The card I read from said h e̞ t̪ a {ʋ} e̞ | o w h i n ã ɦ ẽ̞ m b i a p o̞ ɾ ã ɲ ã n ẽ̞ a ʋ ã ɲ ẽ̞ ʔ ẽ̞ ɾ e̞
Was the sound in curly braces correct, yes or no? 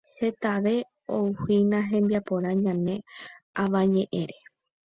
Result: yes